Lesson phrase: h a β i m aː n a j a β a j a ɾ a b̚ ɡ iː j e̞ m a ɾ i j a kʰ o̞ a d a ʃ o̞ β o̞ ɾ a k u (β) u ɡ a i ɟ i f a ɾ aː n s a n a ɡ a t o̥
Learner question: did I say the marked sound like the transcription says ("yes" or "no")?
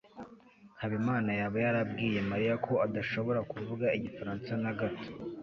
no